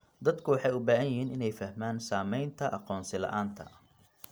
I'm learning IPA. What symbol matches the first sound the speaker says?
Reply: d̪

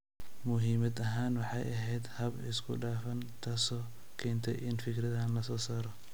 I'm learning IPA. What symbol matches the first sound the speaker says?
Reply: m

